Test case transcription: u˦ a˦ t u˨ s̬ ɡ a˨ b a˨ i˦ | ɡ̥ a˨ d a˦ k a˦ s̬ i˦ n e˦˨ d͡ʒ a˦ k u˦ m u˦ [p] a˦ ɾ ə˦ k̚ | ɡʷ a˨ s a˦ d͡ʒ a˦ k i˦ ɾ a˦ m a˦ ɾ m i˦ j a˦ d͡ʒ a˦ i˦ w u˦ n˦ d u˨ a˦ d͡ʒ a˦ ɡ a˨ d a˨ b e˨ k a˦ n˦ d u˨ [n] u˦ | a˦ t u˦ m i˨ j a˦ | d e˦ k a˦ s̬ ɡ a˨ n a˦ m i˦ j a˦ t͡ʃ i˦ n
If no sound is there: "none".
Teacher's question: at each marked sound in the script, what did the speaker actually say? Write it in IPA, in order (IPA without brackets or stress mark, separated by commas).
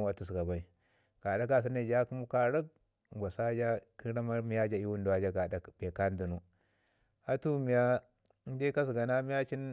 k, n